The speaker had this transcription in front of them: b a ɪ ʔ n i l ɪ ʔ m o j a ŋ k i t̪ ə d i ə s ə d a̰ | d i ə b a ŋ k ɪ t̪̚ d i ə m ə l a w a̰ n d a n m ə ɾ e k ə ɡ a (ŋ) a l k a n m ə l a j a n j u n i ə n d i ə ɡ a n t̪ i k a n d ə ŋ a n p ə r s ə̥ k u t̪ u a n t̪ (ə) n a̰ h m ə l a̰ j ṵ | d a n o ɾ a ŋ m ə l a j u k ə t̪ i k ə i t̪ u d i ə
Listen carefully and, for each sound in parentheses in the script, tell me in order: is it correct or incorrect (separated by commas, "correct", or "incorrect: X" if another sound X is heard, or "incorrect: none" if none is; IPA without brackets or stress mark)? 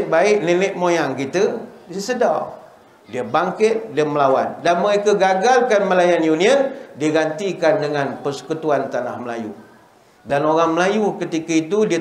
incorrect: ɡ, incorrect: a